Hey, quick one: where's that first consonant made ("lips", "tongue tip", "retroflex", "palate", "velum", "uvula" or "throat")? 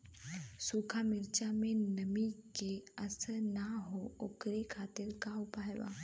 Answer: tongue tip